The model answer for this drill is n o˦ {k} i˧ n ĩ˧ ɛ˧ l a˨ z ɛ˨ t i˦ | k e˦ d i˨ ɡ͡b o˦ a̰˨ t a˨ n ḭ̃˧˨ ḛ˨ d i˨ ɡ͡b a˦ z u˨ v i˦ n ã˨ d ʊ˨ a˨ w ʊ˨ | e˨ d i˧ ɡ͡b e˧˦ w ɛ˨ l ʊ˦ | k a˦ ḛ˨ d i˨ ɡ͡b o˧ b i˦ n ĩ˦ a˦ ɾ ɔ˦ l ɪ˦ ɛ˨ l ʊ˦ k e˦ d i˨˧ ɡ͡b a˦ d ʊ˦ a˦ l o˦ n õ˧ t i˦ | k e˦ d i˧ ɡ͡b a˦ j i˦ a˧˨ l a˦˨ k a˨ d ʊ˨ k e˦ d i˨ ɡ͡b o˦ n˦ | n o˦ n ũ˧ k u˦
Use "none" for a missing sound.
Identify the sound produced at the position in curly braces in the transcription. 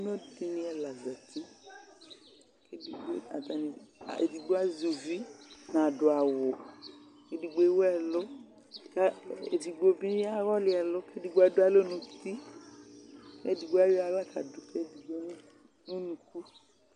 t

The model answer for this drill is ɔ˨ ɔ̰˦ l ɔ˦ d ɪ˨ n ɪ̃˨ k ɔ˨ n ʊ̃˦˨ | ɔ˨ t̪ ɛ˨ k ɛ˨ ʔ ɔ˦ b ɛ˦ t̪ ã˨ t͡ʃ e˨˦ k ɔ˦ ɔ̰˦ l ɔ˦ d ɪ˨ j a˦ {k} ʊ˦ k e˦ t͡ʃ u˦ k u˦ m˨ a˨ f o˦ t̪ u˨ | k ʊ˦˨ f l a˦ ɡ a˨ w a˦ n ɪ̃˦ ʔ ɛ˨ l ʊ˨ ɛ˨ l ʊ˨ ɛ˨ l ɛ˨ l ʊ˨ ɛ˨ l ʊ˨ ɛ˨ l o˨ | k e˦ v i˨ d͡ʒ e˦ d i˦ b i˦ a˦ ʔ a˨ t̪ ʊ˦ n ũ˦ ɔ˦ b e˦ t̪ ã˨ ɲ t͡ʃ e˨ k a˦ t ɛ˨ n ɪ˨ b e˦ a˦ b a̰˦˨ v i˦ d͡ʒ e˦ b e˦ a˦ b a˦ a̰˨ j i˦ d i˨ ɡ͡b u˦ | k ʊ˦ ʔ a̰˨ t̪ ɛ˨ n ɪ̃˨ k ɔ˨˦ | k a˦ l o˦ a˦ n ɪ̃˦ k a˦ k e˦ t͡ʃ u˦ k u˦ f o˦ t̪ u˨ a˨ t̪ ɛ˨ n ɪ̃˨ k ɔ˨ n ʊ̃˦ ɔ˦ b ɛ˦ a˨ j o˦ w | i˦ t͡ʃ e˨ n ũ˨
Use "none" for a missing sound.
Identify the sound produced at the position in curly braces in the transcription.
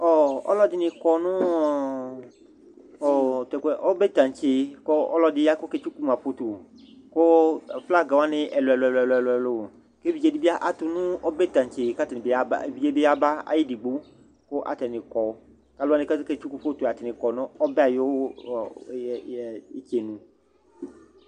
k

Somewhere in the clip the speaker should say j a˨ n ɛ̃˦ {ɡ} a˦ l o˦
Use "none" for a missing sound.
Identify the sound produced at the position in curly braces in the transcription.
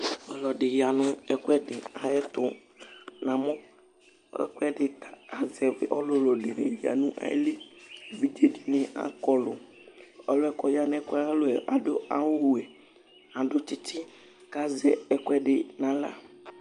k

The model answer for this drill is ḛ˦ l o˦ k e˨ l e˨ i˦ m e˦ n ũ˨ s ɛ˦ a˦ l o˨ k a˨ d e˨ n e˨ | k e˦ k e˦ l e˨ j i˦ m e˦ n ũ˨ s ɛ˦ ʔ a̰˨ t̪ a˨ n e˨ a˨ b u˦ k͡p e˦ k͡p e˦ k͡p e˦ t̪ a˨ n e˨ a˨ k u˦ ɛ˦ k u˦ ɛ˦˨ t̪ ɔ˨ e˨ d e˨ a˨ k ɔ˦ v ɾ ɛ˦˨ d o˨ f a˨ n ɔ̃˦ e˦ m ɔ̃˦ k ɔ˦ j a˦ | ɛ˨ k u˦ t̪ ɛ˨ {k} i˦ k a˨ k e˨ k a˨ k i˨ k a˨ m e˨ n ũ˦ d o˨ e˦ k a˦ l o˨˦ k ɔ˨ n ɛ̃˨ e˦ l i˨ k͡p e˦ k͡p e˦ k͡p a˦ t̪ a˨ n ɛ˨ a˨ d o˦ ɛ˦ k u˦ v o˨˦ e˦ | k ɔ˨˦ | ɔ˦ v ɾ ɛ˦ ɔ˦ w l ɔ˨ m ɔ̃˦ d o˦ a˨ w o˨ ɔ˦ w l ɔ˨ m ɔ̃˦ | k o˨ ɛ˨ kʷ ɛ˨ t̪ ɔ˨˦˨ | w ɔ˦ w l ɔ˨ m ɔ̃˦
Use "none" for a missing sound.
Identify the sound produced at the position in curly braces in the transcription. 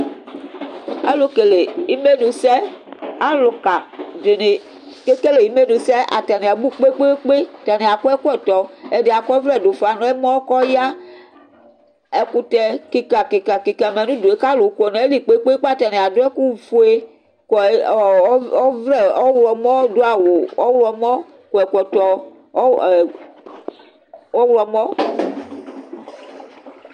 k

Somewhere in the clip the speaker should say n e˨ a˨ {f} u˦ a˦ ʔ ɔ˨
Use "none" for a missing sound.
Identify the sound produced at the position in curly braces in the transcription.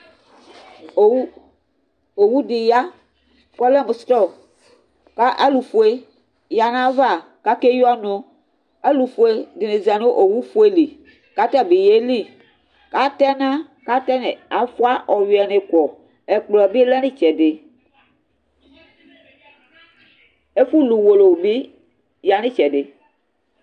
f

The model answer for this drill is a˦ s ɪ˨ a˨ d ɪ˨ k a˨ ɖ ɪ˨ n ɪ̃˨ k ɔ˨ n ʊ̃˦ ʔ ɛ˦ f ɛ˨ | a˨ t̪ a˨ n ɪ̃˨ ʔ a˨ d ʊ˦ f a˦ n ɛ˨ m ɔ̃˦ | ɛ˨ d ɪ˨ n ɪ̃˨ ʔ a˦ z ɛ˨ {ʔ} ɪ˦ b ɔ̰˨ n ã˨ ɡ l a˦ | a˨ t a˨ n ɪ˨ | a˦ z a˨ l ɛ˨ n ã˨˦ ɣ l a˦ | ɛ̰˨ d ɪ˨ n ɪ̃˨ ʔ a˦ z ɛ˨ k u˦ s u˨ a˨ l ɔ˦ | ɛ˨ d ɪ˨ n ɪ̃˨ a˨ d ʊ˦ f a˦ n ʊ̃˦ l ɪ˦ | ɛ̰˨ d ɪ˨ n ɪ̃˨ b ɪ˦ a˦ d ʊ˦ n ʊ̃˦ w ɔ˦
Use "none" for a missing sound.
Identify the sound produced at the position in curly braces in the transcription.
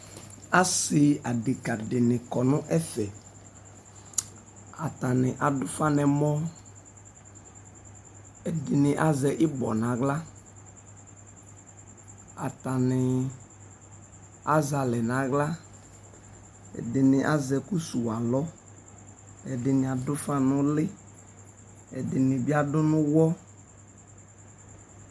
ʔ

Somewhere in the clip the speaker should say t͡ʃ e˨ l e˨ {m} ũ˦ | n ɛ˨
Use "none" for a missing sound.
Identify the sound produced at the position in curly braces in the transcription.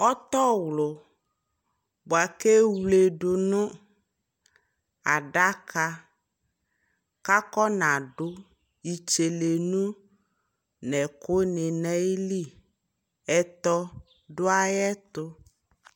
n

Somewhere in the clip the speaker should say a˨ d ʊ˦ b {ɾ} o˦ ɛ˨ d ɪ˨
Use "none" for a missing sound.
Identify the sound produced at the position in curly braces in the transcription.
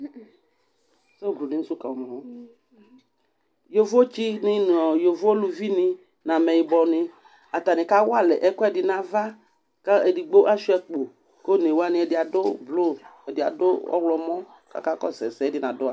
l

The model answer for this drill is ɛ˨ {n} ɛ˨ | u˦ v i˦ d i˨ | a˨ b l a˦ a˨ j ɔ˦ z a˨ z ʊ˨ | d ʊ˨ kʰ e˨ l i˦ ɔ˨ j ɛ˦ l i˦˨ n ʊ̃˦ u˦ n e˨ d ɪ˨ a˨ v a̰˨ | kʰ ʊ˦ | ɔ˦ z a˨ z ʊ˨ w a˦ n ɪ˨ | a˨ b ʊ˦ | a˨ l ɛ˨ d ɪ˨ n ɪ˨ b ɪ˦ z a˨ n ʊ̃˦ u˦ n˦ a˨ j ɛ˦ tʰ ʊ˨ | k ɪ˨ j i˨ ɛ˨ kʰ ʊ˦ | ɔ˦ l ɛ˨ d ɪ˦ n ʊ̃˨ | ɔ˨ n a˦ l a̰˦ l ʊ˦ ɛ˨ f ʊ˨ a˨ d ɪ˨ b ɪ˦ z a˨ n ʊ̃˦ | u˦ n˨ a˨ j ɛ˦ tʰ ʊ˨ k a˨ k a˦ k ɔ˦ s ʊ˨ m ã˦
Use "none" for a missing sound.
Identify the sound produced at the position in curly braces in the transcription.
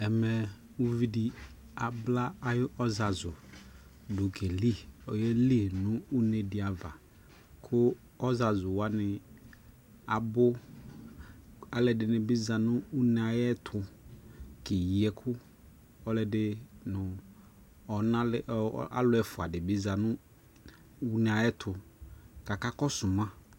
m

